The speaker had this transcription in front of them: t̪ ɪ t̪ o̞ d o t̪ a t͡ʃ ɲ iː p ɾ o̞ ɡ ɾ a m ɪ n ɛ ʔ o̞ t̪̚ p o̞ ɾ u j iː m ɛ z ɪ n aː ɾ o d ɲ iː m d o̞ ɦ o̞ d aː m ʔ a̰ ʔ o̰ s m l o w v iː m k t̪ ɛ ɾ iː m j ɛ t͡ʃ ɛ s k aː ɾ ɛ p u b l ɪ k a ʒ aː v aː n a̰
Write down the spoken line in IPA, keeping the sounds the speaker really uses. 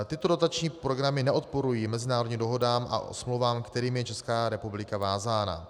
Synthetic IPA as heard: t̪ ɪ t̪ o̞ d o t̪ a t͡ʃ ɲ iː p ɾ o̞ ɡ ɾ a m ɪ n ɛ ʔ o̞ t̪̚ p o̞ ɾ u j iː m ɛ z ɪ n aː ɾ o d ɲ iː m d o̞ ɦ o̞ d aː m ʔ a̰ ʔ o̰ s m l o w v aː m k t̪ ɛ ɾ iː m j ɛ t͡ʃ ɛ s k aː ɾ ɛ p u b l ɪ k a v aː z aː n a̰

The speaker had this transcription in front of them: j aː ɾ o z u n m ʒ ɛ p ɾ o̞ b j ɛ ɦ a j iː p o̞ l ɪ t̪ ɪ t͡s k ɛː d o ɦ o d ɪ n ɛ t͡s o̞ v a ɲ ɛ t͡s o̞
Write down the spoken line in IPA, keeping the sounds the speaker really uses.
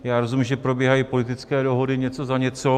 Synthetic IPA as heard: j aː ɾ o z u m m ʒ ɛ p ɾ o̞ b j ɛ ɦ a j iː p o̞ l ɪ t̪ ɪ t͡s k ɛː d o ɦ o d ɪ ɲ ɛ t͡s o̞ z a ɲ ɛ t͡s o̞

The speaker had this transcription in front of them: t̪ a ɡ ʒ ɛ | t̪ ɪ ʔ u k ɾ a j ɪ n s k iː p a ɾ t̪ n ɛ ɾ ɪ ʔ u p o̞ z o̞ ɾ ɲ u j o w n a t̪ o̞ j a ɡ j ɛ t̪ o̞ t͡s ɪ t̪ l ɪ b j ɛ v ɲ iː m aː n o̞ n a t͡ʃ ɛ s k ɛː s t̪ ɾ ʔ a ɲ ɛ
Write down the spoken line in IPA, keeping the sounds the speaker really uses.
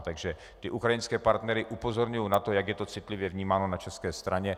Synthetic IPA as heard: t̪ a ɡ ʒ ɛ | t̪ ɪ ʔ u k ɾ a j ɪ n s k ɛː p a ɾ t̪ n ɛ ɾ ɪ ʔ u p o̞ z o̞ ɾ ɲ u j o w n a t̪ o̞ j a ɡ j ɛ t̪ o̞ t͡s ɪ t̪ l ɪ v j ɛ v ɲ iː m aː n o̞ n a t͡ʃ ɛ s k ɛː s t̪ ɾ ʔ a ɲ ɛ

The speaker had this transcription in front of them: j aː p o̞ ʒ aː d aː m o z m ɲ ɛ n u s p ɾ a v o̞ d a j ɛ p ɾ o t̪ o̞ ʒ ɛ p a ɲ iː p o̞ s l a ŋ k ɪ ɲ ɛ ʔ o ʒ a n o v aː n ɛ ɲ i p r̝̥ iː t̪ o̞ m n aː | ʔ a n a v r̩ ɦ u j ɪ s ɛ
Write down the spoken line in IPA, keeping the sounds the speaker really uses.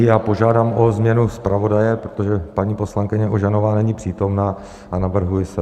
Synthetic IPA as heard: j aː p o̞ ʒ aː d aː m o z m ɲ ɛ n u s p ɾ a v o̞ d a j ɛ p ɾ o t̪ o̞ ʒ ɛ p a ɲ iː p o̞ s l a ŋ k ɪ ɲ ɛ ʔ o ʒ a n o v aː n ɛ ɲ i p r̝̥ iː t̪ o̞ m n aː | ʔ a n a v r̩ ɦ u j ɪ s ɛ

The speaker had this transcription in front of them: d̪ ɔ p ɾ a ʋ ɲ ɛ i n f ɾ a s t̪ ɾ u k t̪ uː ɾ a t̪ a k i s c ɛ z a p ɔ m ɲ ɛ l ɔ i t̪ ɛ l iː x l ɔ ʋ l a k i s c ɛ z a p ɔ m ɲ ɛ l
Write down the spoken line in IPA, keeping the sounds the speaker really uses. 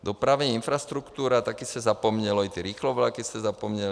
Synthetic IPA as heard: d̪ ɔ p ɾ a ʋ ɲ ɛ i n f ɾ a s t̪ ɾ u k t̪ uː ɾ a t̪ a k i s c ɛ z a p ɔ m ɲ ɛ l ɔ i t̪ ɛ ɾ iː x l ɔ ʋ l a k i s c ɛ z a p ɔ m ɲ ɛ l

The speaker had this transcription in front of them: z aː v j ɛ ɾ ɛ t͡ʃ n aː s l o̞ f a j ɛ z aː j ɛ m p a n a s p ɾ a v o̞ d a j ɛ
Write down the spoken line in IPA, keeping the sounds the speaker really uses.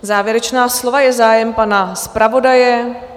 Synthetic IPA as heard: z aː v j ɛ ɾ ɛ t͡ʃ n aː s l o̞ v a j ɛ z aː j ɛ m p a n a s p ɾ a v o̞ d a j ɛ

